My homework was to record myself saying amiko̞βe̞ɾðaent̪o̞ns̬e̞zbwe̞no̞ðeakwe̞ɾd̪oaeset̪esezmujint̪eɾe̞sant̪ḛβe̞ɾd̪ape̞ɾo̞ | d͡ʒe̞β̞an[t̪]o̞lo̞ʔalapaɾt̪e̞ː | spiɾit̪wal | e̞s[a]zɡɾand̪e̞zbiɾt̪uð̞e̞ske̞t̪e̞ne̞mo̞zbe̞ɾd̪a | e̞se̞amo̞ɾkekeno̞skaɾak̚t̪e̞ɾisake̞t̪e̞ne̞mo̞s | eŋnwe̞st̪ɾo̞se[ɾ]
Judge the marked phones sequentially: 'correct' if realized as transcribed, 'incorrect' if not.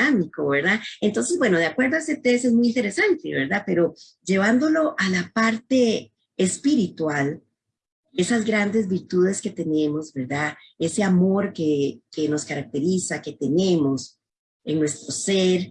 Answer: incorrect: d̪, correct, correct

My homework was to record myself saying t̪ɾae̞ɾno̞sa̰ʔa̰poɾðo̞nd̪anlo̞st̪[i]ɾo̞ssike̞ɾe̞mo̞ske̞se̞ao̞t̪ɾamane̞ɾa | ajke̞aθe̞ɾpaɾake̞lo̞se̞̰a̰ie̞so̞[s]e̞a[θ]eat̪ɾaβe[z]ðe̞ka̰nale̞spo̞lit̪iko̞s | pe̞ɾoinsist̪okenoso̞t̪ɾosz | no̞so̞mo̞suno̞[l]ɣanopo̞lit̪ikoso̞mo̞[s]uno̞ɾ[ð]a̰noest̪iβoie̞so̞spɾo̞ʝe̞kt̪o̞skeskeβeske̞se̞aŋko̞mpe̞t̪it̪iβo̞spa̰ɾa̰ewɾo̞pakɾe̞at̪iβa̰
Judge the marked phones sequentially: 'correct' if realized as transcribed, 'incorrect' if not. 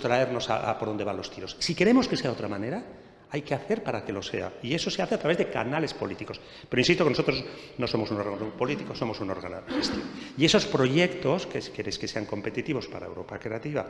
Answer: correct, correct, correct, correct, incorrect: ɾ, correct, incorrect: ɣ

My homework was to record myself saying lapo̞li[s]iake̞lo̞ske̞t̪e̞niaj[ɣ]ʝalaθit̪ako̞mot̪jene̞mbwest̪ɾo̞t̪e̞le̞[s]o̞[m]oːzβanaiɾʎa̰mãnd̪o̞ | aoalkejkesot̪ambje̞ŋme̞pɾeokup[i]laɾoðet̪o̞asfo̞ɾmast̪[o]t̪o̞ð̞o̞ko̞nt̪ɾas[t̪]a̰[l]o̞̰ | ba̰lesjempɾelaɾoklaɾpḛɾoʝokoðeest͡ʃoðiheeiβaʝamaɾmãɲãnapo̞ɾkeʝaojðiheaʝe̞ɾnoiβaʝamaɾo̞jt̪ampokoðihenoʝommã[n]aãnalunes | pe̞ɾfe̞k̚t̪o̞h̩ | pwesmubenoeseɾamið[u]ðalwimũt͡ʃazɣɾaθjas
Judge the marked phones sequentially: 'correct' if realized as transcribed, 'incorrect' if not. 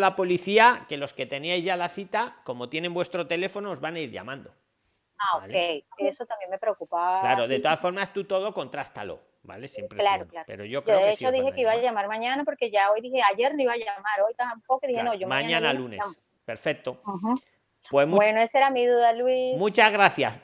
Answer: incorrect: θ, incorrect: z, incorrect: f, incorrect: n, incorrect: a, incorrect: u, correct, correct, incorrect: ɲ, correct

